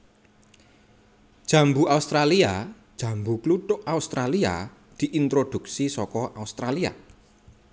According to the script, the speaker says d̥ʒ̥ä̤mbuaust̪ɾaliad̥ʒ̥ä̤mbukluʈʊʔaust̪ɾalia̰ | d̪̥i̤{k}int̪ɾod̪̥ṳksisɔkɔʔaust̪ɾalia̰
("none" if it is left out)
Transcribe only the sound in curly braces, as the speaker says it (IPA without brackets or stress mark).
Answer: ʔ